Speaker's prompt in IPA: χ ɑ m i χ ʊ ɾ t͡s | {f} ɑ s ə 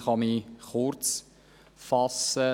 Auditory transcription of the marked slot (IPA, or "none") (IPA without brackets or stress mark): f